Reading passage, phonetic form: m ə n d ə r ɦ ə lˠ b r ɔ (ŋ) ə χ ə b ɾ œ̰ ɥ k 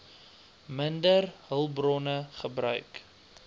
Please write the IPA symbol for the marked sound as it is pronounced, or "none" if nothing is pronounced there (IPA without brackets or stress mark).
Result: n